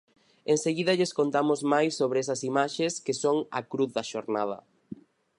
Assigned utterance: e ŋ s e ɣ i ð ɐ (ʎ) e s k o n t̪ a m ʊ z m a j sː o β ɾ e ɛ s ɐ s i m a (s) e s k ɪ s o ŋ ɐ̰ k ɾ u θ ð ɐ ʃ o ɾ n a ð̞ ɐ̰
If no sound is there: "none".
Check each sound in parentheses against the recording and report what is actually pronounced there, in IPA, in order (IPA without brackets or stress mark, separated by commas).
ʎ, ʃ